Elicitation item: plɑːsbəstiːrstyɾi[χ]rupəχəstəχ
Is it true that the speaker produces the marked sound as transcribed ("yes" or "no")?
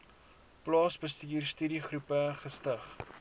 yes